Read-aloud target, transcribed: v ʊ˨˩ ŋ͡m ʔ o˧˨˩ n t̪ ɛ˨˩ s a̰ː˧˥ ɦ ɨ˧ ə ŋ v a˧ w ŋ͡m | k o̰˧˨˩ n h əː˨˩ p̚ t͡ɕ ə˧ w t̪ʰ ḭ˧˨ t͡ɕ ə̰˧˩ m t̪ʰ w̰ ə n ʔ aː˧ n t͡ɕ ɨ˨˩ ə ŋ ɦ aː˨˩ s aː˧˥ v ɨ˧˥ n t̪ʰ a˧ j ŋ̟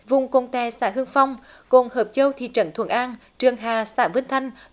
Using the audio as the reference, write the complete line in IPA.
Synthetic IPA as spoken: v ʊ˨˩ ŋ͡m k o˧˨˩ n t̪ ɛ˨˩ s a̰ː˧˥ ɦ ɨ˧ ə ŋ f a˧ w ŋ͡m | k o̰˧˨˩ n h əː˨˩ p̚ t͡ɕ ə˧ w t̪ʰ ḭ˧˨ t͡ɕ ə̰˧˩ n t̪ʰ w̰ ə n ʔ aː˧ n t͡ɕ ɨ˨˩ ə ŋ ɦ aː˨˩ s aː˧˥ v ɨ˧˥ n t̪ʰ a˧ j ŋ̟